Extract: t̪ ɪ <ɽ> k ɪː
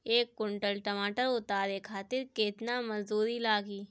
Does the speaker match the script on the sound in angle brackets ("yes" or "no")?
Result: no